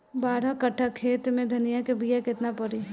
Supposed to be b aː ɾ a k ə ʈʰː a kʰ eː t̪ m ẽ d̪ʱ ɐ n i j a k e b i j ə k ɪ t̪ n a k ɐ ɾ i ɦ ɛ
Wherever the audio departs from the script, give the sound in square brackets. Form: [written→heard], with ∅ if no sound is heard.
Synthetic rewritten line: b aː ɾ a k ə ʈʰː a kʰ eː t̪ m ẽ d̪ʱ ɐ n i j a k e b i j [ə→a] k ɪ t̪ n a [k→p] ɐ ɾ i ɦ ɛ